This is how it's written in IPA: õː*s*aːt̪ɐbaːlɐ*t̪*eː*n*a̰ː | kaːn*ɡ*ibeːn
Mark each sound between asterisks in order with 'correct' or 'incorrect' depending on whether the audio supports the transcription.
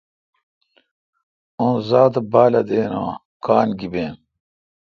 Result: incorrect: z, incorrect: d̪, correct, correct

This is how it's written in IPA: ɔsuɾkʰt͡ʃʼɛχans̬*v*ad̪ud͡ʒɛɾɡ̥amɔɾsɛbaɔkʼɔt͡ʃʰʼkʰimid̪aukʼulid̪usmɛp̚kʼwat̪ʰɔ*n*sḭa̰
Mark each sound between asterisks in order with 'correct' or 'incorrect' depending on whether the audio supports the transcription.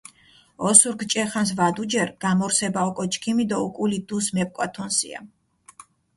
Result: correct, correct

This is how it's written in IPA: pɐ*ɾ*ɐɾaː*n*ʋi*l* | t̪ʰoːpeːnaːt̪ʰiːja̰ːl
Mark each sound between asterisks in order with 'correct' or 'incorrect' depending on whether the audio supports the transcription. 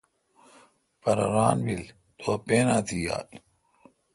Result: correct, correct, correct

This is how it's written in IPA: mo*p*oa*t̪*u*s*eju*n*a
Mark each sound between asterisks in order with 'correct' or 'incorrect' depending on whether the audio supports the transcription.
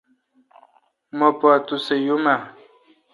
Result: correct, correct, correct, incorrect: m

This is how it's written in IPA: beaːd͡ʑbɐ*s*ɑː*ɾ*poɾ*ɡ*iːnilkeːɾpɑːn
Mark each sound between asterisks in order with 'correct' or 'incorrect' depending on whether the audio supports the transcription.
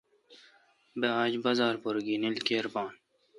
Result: incorrect: z, correct, correct

